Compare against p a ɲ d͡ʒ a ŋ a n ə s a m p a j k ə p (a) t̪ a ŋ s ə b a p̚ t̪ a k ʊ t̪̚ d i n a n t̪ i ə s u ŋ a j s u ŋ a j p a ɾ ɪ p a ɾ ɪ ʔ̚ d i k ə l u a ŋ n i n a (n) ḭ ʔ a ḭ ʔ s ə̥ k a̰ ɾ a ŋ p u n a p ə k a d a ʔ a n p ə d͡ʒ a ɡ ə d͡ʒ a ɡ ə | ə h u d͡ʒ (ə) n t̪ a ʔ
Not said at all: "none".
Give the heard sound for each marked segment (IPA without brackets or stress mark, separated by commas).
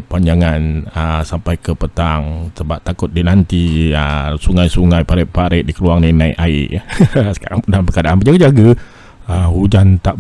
ə, none, a